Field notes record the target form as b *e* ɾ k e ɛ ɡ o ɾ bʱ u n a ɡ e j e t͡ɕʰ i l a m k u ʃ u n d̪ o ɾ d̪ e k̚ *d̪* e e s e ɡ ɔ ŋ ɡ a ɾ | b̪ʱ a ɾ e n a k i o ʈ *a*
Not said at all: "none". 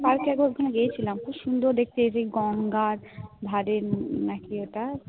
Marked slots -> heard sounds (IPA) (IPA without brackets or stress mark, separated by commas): a, t̪, a